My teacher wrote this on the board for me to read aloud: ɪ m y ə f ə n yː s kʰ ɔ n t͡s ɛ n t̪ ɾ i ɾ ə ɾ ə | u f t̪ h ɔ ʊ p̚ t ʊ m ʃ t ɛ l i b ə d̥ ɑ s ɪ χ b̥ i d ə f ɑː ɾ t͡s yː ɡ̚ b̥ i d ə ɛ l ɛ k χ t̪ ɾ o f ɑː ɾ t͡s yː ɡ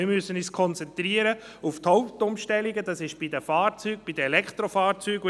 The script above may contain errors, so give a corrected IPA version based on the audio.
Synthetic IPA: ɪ m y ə s ə n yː s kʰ ɔ n t͡s ɛ n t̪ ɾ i ə ɾ ə | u f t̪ h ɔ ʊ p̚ t ʊ m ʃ t ɛ l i ɡ ə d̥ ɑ s ɪ ʃ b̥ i d ə f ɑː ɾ t͡s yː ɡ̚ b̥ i d ə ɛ l ɛ k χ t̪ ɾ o f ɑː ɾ t͡s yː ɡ